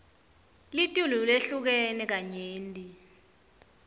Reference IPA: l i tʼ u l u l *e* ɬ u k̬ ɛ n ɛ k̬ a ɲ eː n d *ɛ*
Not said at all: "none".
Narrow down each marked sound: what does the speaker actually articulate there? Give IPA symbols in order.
e, i

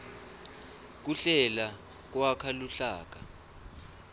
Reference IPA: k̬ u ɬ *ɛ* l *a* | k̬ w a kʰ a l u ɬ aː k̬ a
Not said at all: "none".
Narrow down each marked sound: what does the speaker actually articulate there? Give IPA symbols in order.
ɛ, a

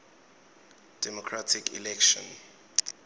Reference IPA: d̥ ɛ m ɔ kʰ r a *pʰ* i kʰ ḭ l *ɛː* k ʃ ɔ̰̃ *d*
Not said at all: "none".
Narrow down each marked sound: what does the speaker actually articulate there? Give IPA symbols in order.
tʰ, ɛ, n

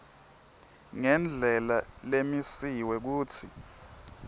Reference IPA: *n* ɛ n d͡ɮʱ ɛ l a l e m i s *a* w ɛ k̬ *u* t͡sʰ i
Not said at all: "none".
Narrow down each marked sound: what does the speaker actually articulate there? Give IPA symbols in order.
ŋ, i, uː

